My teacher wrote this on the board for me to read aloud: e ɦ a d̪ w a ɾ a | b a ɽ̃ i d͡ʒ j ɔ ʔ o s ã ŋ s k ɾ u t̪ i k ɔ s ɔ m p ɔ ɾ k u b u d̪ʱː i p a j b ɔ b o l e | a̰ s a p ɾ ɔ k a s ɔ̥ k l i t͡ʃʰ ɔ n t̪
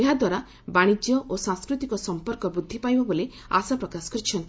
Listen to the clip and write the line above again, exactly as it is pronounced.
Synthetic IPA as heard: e ɦ a d̪ w a ɾ a | b a ɽ̃ i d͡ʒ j ɔ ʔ o s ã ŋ s k ɾ u t̪ i k ɔ s ɔ m p ɔ ɾ k ɔ b u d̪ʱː i p a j b ɔ b o l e | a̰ s a p ɾ ɔ k a s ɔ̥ k ɾ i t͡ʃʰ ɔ n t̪